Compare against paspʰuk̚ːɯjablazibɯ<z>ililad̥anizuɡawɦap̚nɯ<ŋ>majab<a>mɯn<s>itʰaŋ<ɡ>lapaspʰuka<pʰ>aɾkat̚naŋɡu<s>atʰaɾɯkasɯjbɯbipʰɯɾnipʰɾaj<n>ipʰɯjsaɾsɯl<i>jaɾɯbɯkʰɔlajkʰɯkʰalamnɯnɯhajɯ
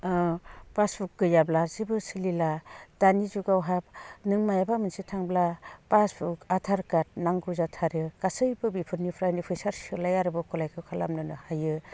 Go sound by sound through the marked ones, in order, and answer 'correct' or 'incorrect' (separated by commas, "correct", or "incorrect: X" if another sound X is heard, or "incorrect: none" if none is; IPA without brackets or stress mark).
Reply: incorrect: s, correct, correct, correct, incorrect: b, incorrect: tʰ, incorrect: z, correct, incorrect: a